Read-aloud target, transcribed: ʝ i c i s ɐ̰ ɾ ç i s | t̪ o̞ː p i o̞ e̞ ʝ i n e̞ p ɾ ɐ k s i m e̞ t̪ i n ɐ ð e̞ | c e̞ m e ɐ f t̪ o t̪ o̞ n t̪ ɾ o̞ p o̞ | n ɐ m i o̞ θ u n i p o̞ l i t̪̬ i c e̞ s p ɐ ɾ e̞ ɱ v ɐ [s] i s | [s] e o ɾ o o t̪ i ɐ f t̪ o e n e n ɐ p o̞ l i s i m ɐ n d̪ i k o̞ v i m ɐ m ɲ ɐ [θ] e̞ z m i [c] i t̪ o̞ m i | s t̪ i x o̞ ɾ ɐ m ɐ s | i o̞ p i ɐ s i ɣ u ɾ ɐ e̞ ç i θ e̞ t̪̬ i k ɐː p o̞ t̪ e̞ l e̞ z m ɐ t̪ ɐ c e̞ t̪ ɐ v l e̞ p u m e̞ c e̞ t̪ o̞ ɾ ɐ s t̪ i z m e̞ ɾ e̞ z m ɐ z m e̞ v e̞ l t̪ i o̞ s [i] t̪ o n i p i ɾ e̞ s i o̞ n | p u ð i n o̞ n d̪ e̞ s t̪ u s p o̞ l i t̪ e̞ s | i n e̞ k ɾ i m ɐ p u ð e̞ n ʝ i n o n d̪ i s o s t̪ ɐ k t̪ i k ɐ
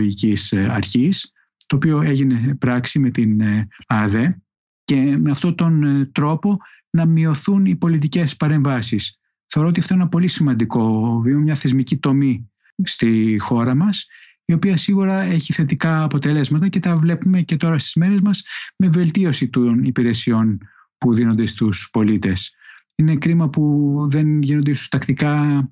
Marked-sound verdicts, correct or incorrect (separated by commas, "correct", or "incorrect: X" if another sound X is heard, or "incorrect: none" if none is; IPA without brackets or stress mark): correct, incorrect: θ, correct, correct, correct